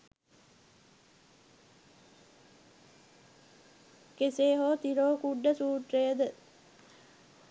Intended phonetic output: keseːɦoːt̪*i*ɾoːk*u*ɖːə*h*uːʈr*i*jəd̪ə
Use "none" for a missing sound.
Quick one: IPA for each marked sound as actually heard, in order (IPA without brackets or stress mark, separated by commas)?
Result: i, u, s, e